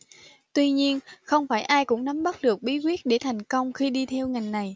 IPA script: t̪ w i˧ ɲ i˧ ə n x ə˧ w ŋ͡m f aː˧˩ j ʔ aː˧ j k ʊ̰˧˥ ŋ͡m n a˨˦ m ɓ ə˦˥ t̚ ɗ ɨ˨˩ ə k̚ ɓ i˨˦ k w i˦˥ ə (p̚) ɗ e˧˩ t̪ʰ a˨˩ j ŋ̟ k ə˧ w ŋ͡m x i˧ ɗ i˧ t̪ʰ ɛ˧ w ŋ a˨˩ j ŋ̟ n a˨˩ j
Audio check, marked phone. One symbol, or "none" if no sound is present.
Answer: t̚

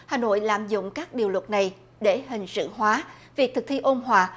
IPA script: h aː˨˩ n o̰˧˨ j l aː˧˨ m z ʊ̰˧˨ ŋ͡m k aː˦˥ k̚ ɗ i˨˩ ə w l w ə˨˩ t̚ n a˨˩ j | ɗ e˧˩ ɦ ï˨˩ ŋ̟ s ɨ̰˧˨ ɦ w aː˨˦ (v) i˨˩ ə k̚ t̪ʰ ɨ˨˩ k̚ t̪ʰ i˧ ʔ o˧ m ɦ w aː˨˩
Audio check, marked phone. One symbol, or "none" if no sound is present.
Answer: v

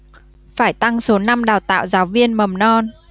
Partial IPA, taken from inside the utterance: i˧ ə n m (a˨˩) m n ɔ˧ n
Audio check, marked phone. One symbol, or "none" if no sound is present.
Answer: ə˨˩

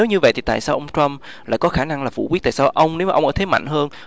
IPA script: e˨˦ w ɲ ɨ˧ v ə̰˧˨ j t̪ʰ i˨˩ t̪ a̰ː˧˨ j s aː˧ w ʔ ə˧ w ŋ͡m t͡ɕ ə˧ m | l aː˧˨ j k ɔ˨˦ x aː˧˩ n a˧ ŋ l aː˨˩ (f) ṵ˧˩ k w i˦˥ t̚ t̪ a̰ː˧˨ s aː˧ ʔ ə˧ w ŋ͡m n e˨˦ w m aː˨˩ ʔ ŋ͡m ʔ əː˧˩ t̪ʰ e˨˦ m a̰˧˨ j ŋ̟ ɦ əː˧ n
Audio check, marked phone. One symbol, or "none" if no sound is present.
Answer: f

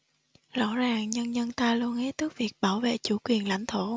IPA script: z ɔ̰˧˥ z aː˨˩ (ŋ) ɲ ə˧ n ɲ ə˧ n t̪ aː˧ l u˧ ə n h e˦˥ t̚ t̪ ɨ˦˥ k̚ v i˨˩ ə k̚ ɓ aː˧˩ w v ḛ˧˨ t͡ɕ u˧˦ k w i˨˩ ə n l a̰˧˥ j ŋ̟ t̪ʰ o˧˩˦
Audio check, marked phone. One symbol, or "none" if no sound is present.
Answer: ŋ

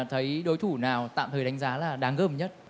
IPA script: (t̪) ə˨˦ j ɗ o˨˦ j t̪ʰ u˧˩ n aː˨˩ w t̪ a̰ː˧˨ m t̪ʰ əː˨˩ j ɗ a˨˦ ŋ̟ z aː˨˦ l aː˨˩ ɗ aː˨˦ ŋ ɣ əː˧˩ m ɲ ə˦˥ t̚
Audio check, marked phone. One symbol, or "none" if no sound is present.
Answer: t̪ʰ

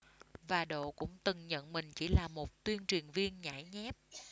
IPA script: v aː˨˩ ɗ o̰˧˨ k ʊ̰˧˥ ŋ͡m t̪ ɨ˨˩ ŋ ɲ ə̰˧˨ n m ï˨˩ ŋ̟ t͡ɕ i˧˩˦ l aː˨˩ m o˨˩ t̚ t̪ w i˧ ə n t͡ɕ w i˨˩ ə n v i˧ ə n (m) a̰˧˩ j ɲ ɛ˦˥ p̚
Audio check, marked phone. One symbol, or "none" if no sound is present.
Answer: ɲ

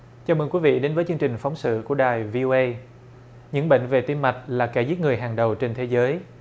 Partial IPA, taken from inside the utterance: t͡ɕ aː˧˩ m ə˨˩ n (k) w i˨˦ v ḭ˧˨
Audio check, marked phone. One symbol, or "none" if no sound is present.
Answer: k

